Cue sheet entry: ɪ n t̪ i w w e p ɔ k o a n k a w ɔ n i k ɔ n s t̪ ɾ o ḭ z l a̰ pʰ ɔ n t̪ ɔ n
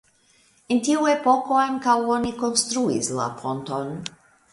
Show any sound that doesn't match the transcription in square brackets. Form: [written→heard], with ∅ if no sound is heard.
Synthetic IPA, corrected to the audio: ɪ n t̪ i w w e p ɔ k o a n k a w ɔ n i k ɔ n s t̪ ɾ [o→u] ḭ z l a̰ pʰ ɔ n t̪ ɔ n